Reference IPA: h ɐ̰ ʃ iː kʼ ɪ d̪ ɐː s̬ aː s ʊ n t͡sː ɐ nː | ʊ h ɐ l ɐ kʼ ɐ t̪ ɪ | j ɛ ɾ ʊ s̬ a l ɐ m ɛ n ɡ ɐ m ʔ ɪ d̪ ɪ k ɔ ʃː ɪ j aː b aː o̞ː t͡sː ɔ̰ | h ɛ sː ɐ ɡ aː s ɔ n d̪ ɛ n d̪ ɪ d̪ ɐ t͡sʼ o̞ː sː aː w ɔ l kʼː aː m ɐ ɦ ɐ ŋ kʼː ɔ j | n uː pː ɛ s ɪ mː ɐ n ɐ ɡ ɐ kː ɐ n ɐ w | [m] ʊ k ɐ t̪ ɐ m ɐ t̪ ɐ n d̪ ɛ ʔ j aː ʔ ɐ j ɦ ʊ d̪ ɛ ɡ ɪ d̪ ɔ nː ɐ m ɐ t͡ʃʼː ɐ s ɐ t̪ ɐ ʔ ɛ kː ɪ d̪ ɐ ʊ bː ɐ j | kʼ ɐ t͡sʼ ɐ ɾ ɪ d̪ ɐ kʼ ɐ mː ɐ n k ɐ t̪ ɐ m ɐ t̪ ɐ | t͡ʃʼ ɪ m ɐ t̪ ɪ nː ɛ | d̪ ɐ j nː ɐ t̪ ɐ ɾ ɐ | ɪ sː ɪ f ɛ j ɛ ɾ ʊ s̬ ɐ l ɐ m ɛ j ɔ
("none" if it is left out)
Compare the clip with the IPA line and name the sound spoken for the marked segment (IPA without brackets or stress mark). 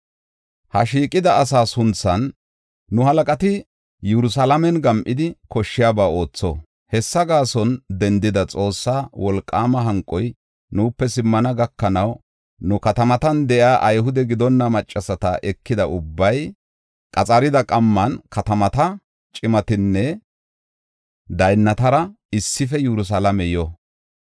n